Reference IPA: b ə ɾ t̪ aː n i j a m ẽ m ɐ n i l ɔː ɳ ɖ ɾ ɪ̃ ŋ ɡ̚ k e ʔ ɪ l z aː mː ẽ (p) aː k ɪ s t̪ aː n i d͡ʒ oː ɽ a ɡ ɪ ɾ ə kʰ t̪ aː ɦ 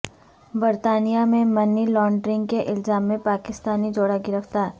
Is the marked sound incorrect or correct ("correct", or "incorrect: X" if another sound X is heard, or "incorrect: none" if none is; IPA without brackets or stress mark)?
correct